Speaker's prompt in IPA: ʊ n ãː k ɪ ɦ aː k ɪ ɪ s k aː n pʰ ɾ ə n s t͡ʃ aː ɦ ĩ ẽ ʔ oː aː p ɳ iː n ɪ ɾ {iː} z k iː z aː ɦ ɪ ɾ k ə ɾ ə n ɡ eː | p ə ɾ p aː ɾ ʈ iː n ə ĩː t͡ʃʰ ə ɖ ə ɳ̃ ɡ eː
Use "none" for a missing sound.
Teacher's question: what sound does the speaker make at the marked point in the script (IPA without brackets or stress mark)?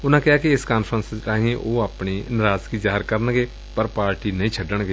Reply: aː